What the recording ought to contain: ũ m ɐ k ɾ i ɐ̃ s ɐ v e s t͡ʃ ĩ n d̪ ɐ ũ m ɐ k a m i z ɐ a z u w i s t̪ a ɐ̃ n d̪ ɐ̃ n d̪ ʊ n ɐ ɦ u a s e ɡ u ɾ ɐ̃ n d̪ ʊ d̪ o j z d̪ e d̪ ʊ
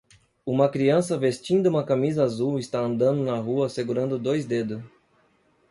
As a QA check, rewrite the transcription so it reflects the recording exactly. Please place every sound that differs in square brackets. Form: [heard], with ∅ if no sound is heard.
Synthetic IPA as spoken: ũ m ɐ k ɾ i ɐ̃ s ɐ v e s t͡ʃ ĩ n d̪ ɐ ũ m ɐ k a m i z ɐ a z u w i s t̪ a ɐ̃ n d̪ ɐ̃ n d̪ ʊ n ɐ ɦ u [ɐ] s e ɡ u ɾ ɐ̃ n d̪ ʊ d̪ o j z d̪ e d̪ ʊ